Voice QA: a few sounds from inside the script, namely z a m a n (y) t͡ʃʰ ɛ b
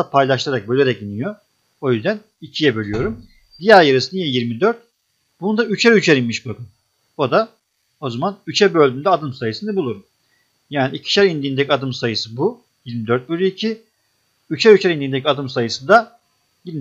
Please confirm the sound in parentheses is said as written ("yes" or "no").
yes